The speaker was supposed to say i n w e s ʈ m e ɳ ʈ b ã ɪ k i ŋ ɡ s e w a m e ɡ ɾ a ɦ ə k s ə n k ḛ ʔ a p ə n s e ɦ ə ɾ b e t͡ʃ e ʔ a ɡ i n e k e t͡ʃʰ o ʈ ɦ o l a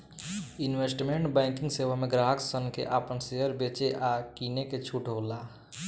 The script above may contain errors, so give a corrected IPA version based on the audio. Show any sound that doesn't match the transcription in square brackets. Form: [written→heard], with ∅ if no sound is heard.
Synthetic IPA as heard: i n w e s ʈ m e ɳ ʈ b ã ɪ k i ŋ ɡ s e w a m e ɡ ɾ a ɦ ə k s ə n k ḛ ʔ a p ə n s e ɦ ə ɾ b e t͡ʃ e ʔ a [ɡ→k] i n e k e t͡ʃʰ [o→u] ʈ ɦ o l a